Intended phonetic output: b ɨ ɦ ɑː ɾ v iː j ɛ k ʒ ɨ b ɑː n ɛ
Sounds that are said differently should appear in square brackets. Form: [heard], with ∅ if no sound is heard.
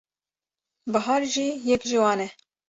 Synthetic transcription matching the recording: b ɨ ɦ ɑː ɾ [ʒ] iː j ɛ k ʒ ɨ [w] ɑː n ɛ